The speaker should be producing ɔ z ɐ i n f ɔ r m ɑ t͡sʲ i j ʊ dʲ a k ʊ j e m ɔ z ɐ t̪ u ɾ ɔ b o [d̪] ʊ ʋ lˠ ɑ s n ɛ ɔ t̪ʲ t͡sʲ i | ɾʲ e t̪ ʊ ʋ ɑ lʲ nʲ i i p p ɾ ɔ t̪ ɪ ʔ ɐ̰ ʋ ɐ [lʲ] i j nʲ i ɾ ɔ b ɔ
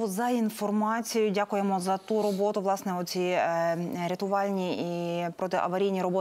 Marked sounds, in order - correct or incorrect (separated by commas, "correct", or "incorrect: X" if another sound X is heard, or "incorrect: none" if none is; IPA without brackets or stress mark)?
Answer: incorrect: t̪, incorrect: ɾʲ